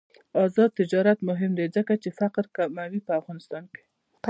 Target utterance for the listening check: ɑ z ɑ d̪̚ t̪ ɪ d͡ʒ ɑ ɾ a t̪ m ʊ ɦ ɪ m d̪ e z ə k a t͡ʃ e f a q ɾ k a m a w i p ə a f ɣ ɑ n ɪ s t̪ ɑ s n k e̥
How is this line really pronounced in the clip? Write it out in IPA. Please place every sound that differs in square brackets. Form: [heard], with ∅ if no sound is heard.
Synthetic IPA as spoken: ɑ z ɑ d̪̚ t̪ ɪ d͡ʒ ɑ ɾ a t̪ m ʊ ɦ ɪ m d̪ e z ə k a t͡ʃ e f a q ɾ k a m a w i p ə a f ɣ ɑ n ɪ s t̪ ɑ [∅] n k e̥